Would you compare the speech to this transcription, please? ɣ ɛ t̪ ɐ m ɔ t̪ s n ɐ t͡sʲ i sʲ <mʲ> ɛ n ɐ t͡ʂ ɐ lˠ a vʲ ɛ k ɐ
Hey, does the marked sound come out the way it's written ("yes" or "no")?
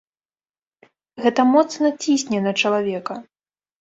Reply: no